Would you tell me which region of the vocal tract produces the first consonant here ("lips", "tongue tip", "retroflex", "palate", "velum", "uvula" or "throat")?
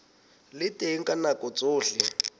tongue tip